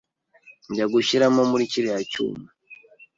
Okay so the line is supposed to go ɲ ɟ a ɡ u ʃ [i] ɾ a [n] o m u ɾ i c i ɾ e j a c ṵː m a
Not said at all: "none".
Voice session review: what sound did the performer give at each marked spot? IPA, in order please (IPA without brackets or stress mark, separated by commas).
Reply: i, m